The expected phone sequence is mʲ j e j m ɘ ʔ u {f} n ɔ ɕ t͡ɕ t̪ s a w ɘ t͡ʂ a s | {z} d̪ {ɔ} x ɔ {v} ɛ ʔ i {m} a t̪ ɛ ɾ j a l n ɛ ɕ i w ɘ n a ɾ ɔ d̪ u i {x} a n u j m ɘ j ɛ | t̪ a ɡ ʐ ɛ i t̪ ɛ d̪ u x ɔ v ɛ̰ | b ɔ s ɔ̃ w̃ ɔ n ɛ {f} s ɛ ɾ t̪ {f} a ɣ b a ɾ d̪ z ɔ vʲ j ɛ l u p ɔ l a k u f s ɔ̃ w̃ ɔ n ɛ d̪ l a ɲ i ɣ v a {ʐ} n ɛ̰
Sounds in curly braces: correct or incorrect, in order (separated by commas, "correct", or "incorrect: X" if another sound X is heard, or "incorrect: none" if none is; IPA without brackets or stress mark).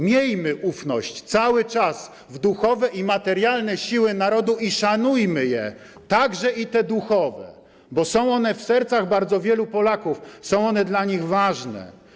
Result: correct, incorrect: v, incorrect: u, correct, correct, incorrect: ʂ, correct, incorrect: s, correct